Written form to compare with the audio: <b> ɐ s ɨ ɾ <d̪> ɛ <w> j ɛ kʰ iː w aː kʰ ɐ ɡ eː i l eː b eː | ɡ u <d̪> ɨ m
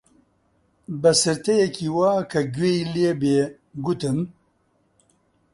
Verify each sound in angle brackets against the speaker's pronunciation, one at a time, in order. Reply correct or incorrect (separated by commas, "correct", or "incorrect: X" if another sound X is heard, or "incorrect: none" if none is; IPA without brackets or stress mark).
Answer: correct, incorrect: t̪, incorrect: none, incorrect: t̪